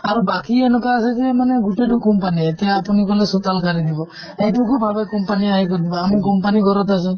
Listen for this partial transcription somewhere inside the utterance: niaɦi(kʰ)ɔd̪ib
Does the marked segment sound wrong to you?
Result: yes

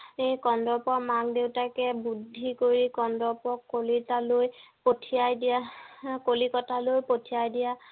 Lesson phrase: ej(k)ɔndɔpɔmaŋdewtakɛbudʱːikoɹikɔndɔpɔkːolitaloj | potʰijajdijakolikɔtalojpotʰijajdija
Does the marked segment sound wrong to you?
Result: no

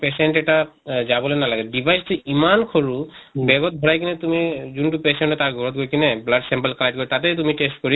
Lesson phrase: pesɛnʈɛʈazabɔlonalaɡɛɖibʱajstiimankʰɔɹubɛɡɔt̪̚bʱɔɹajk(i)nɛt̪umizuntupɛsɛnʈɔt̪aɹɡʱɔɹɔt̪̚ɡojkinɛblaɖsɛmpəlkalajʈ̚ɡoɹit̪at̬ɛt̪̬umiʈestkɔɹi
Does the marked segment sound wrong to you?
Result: no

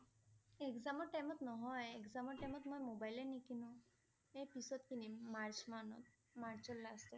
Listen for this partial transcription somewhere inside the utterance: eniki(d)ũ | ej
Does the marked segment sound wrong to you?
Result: yes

